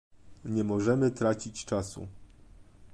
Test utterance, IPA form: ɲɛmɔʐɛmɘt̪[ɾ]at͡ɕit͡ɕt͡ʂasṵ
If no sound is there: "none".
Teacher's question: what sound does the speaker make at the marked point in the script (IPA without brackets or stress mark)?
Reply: ɾ